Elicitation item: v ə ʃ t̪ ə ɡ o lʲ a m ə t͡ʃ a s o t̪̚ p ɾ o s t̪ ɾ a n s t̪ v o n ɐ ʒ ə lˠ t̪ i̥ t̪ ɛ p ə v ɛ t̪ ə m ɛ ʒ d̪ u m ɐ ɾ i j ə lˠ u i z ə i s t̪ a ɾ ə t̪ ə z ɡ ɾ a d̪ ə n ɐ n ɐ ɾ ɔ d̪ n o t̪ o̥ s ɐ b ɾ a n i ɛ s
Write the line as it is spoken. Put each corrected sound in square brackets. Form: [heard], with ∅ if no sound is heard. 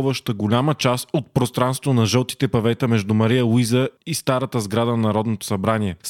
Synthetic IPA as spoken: v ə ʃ t̪ ə ɡ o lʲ a m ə t͡ʃ a s o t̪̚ p ɾ o s t̪ ɾ a n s t̪ v o n ɐ ʒ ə lˠ t̪ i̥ t̪ ɛ p [ɐ] v ɛ t̪ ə m ɛ ʒ d̪ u m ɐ ɾ i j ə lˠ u i z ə i s t̪ a ɾ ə t̪ ə z ɡ ɾ a d̪ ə n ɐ n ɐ ɾ ɔ d̪ n o t̪ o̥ s ɐ b ɾ a n i ɛ s